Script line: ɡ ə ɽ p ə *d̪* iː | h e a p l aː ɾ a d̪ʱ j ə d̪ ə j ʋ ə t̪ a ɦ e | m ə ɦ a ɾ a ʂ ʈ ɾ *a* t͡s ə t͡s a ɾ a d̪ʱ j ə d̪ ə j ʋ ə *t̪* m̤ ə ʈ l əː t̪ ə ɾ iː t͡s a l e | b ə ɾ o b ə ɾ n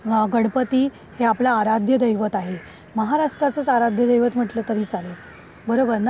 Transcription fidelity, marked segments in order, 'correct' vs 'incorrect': incorrect: t̪, correct, correct

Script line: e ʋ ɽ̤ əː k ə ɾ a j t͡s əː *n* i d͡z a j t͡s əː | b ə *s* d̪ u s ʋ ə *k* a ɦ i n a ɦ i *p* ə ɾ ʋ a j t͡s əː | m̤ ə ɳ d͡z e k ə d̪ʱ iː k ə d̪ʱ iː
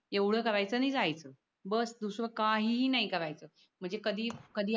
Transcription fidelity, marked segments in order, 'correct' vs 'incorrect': correct, correct, correct, incorrect: k

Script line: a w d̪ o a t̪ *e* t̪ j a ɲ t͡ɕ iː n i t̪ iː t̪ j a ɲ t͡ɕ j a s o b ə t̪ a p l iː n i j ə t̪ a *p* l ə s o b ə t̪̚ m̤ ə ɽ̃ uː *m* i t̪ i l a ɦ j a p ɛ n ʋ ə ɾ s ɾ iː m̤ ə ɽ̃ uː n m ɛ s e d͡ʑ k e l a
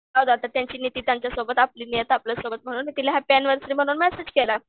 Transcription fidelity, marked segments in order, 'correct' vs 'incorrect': incorrect: a, correct, incorrect: n

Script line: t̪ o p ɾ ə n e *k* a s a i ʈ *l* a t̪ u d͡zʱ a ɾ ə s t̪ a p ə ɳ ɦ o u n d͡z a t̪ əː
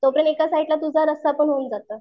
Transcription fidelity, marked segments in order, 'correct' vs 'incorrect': correct, correct

